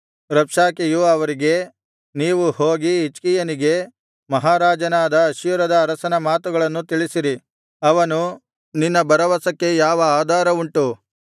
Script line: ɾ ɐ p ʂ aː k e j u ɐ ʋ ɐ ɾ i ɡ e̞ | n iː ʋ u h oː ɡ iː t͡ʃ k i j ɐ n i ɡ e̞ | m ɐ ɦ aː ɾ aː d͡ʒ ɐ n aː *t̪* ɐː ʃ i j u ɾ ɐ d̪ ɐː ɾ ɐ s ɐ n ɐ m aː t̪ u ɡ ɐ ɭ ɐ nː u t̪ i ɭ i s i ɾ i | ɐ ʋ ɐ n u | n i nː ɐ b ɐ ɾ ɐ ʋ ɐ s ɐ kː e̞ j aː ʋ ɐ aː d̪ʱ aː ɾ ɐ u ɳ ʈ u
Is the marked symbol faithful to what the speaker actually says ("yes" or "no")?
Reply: no